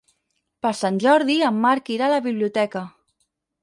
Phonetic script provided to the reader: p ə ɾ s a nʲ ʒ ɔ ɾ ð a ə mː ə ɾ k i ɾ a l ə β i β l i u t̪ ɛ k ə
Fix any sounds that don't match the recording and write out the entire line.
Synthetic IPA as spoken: p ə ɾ s a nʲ ʒ ɔ ɾ ð i ə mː a ɾ k i ɾ a l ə β i β l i u t̪ ɛ k ə